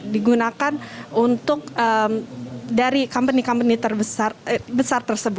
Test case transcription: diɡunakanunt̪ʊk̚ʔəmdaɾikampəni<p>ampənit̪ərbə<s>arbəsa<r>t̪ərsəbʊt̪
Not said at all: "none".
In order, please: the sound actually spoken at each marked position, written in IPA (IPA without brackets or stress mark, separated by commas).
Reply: k, s, r